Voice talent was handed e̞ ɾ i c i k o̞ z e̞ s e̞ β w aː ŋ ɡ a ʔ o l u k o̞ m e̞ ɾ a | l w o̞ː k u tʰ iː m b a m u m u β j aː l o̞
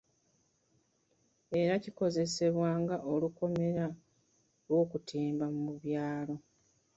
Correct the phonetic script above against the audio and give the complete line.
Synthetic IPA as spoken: e̞ ɾ a c i k o̞ z e̞ s e̞ β w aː ŋ ɡ a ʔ o l u k o̞ m e̞ ɾ a | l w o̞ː k u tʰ iː m b a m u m u β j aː l o̞

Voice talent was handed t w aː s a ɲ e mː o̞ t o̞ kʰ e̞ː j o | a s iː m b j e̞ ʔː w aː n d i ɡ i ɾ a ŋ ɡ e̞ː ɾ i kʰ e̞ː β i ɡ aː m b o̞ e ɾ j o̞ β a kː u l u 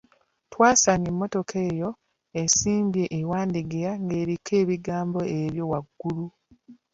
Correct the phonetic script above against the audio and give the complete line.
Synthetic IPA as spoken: t w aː s a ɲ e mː o̞ t o̞ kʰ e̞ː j o | e s iː m b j e̞ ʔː w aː n d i ɡ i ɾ a ŋ ɡ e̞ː ɾ i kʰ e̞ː β i ɡ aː m b o̞ e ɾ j o̞ w a ɡː u l u

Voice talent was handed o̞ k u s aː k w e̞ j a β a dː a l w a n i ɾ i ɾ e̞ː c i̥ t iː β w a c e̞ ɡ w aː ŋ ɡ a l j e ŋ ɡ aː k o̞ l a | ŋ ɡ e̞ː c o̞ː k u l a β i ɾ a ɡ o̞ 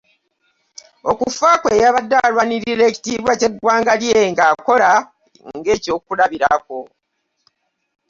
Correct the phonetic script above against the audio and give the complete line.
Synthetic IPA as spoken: o̞ k u f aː k w e̞ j a β a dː a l w a n i ɾ i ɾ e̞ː c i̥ t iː β w a c e̞ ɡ w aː ŋ ɡ a l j e ŋ ɡ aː k o̞ l a | ŋ ɡ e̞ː c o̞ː k u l a β i ɾ a k o̞

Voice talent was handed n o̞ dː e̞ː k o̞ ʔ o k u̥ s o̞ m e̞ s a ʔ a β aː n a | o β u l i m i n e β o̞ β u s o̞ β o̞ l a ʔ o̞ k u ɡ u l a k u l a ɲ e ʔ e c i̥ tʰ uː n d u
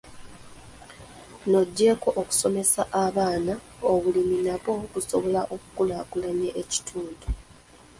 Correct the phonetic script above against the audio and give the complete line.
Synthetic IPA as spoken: n o̞ ɟː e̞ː k o̞ ʔ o k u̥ s o̞ m e̞ s a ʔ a β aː n a | o β u l i m i n a β o̞ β u s o̞ β o̞ l a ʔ o̞ k u k u l a k u l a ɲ e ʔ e c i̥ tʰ uː n d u

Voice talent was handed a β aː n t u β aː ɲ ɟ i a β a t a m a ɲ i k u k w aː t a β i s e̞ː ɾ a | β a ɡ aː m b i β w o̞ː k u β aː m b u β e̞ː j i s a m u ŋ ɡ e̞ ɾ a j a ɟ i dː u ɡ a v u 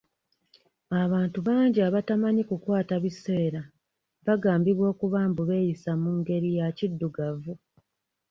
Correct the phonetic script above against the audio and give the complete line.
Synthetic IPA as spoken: a β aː n t u β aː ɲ ɟ i a β a t a m a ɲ i k u k w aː t a β i s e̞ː ɾ a | β a ɡ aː m b i β w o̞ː k u β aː m b u β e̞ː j i s a m u ŋ ɡ e̞ ɾ i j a c i dː u ɡ a v u

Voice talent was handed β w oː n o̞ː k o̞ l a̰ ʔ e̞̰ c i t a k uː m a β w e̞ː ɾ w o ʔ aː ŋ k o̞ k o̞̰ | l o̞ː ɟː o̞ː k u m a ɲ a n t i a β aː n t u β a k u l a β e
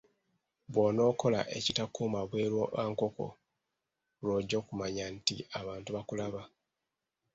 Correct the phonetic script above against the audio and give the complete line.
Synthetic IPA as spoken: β w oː n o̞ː k o̞ l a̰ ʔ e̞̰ c i t a k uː m a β w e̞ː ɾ w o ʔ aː ŋ k o̞ k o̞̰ | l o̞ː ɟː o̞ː k u m a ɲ a n t i a β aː n t u β a k u l a β a

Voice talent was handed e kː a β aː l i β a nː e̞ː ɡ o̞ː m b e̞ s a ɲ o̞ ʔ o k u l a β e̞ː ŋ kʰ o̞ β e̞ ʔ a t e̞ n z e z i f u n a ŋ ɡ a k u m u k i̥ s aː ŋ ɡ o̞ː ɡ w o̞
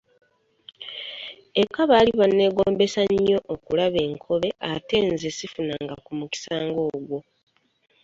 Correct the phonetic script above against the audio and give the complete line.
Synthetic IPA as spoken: e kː a β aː l i β a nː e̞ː ɡ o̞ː m b e̞ s a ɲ o̞ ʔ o k u l a β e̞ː ŋ kʰ o̞ β e̞ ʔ a t e̞ n z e s i f u n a ŋ ɡ a k u m u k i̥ s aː ŋ ɡ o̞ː ɡ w o̞

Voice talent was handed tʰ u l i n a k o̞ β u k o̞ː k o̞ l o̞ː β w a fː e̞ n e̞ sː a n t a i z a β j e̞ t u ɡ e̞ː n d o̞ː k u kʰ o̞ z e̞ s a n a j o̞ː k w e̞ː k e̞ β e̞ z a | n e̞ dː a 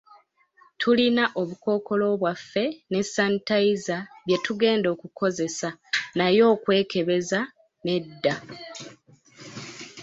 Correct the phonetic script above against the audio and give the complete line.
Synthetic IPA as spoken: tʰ u l i n a ʔ o̞ β u k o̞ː k o̞ l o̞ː β w a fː e̞ n e̞ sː a n t a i z a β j e̞ t u ɡ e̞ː n d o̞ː k u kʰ o̞ z e̞ s a n a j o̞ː k w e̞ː k e̞ β e̞ z a | n e̞ dː a

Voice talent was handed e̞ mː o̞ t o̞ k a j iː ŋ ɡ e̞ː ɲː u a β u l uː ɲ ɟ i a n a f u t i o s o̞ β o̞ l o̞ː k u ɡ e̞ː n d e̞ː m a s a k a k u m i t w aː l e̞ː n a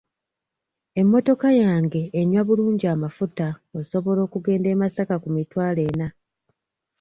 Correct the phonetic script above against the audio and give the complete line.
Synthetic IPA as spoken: e̞ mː o̞ t o̞ k a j aː ŋ ɡ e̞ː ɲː w a β u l uː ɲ ɟ i a m a f u t a o s o̞ β o̞ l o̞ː k u ɡ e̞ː n d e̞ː m a s a k a k u m i t w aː l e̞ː n a

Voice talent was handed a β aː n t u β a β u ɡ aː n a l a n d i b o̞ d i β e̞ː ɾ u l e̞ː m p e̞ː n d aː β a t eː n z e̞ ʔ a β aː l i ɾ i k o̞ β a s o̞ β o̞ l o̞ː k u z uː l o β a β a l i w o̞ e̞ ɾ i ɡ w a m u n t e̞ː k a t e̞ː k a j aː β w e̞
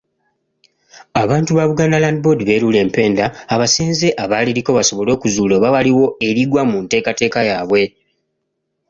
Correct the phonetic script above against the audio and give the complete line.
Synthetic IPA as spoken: a β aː n t u β a β u ɡ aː n a l a n d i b o̞ d i β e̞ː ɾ u l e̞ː m p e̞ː n d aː β a s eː n z e̞ ʔ a β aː l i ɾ i k o̞ β a s o̞ β o̞ l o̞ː k u z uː l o β a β a l i w o̞ e̞ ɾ i ɡ w a m u n t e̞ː k a t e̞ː k a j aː β w e̞

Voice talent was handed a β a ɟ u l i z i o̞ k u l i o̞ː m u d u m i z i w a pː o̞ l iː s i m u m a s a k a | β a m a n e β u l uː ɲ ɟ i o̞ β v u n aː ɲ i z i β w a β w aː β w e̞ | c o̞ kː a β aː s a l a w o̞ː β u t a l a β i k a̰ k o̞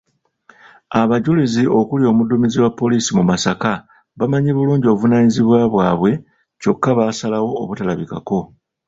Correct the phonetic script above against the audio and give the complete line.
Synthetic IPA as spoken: a β a ɟ u l i z i o̞ k u l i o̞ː m u d u m i z i w a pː o̞ l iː s i m u m a s a k a | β a m a ɲ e β u l uː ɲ ɟ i o̞ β v u n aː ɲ i z i β w a β w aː β w e̞ | c o̞ kː a β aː s a l a w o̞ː β u t a l a β i k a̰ k o̞

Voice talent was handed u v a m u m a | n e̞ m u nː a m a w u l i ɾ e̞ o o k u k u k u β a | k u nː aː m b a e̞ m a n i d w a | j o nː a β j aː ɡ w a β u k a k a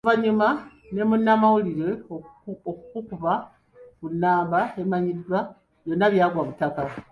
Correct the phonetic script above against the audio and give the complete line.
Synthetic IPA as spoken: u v a ɲ u m a | n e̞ m u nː a m a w u l i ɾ e̞ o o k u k u k u β a | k u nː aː m b a e̞ m a ɲ i d w a | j o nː a β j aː ɡ w a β u t a k a

